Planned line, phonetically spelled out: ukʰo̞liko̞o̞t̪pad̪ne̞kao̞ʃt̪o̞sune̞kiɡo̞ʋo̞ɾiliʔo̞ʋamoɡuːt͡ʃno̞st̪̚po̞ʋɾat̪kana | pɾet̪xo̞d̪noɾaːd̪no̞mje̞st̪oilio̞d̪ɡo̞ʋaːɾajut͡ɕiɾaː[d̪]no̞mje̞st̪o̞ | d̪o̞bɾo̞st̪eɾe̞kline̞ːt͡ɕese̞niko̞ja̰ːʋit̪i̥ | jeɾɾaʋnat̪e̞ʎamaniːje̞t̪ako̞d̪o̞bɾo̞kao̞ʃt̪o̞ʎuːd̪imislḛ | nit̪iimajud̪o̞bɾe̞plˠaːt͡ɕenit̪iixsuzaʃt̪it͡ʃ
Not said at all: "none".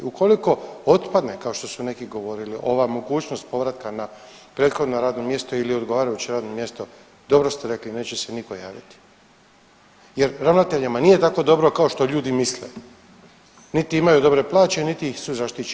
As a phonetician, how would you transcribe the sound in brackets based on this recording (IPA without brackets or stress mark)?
d̪